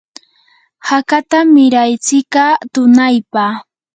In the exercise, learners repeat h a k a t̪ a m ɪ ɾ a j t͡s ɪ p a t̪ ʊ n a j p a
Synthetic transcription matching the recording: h a k a t̪ a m ɪ ɾ a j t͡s ɪ k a t̪ ʊ n a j p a